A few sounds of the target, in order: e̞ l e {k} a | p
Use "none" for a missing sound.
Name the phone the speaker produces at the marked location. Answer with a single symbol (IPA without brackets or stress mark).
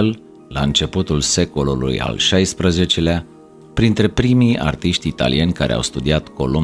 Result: none